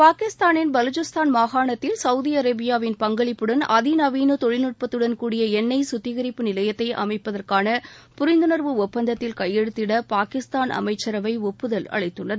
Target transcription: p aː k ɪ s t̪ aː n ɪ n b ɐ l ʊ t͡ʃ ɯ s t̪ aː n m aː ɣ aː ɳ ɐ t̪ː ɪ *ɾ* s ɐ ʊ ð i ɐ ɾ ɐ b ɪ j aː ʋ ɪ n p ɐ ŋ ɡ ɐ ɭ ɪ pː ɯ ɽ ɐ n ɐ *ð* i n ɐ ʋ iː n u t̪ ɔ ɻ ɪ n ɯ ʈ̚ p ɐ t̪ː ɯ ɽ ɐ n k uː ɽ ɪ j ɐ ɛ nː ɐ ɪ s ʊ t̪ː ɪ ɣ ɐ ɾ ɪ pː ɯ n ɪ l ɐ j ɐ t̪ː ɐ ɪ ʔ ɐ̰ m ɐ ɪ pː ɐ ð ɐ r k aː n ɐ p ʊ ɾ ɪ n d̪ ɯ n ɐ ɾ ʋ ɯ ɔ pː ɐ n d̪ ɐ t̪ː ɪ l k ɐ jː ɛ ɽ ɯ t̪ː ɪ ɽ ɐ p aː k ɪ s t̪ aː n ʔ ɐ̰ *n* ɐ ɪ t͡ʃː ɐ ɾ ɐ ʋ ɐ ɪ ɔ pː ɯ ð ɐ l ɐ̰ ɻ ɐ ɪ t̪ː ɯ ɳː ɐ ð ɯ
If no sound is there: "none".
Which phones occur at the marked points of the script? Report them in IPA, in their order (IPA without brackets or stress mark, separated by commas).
l, ð, m